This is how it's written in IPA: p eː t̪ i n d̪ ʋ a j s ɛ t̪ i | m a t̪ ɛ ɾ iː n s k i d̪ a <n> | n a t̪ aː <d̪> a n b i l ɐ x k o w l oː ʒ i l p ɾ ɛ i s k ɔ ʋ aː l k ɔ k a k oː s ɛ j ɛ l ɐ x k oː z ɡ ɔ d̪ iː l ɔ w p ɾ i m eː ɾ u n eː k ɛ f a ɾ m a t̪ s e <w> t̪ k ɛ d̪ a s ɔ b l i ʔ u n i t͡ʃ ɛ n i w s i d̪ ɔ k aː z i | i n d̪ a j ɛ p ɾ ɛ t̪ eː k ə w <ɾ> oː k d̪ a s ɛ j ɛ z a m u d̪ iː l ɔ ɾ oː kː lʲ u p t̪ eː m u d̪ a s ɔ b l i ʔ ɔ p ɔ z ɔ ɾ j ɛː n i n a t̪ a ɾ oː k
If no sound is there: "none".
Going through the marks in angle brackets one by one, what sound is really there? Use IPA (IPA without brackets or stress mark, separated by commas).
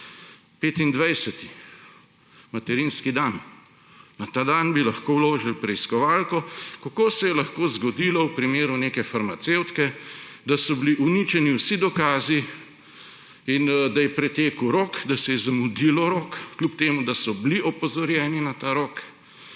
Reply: n, d̪, w, ɾ